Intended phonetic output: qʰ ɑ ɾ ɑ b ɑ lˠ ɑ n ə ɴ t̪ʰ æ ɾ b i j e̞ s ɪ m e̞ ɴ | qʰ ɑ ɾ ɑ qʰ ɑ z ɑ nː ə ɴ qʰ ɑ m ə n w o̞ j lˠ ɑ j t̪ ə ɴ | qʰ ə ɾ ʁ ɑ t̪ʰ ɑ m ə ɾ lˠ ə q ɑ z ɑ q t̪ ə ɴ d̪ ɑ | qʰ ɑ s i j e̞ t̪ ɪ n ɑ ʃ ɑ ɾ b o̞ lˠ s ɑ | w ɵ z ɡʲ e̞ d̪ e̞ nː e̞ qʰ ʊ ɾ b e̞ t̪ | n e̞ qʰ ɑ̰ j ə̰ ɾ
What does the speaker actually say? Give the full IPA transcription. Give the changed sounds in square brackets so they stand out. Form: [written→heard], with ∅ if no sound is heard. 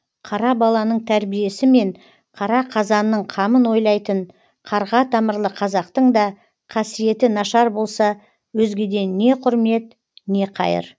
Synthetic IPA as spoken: qʰ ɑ ɾ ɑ b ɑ lˠ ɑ n ə ɴ t̪ʰ æ ɾ b i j e̞ s ɪ m e̞ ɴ | qʰ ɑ ɾ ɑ qʰ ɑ z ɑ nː ə ɴ qʰ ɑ m ə n w o̞ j lˠ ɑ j t̪ ə ɴ | qʰ [ə→ɑ] ɾ ʁ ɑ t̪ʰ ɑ m ə ɾ lˠ ə [q→qʰ] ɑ z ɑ q t̪ ə ɴ d̪ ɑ | qʰ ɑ s i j e̞ t̪ ɪ n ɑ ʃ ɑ ɾ b o̞ lˠ s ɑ | w ɵ z ɡʲ e̞ d̪ e̞ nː e̞ qʰ ʊ ɾ [b→m] e̞ t̪ | n e̞ qʰ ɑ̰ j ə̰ ɾ